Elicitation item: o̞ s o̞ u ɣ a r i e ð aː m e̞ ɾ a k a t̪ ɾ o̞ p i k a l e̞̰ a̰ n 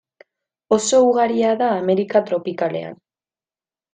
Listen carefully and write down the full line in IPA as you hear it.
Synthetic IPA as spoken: o̞ s o̞ u ɣ a ɾ i a ð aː m e̞ ɾ i k a t̪ ɾ o̞ p i k a l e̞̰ a̰ n